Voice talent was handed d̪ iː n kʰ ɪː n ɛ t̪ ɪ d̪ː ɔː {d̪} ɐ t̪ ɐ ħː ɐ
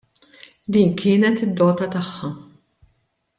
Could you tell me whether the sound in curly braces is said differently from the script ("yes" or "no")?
yes